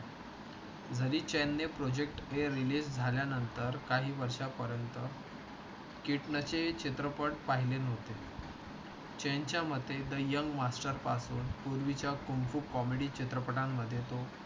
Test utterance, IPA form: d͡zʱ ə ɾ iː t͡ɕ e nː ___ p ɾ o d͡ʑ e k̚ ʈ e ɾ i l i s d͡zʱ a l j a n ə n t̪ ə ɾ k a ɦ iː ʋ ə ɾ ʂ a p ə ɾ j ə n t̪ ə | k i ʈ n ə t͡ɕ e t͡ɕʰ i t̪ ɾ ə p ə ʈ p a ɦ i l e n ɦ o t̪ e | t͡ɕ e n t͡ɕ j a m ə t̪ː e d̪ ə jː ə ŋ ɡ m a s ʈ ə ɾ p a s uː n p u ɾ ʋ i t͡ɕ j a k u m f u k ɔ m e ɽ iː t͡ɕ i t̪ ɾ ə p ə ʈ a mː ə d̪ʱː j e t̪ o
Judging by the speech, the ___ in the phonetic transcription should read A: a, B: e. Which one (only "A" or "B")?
B